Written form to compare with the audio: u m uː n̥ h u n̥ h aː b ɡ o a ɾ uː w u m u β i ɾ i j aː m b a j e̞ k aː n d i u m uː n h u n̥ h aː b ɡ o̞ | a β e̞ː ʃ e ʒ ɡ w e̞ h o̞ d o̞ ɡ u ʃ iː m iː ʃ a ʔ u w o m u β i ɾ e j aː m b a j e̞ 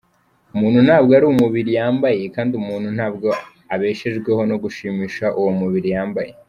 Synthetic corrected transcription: u m uː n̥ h u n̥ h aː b ɡ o a ɾ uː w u m u β i ɾ i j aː m b a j e̞ k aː n d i u m uː n h u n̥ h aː b ɡ o̞ | a β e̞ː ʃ e ʒ ɡ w e̞ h o̞ n o̞ ɡ u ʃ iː m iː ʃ a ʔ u w o m u β i ɾ i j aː m b a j e̞